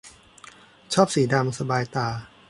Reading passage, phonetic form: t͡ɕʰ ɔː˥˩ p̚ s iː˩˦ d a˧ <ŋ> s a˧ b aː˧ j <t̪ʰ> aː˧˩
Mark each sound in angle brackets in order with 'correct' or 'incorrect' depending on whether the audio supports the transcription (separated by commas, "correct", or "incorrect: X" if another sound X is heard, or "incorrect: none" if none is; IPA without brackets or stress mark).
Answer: incorrect: m, incorrect: t̪